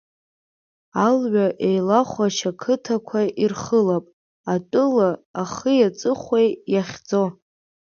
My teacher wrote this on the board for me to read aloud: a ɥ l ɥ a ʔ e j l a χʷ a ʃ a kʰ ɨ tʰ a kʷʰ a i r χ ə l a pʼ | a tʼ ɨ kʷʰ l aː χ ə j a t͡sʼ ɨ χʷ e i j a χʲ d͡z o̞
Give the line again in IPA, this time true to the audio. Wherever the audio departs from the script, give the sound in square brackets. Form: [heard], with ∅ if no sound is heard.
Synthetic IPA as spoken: a [∅] l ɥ a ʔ e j l a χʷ a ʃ a kʰ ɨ tʰ a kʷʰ a i r χ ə l a pʼ | a tʼ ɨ [∅] l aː χ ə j a t͡sʼ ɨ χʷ e [j] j a χʲ d͡z o̞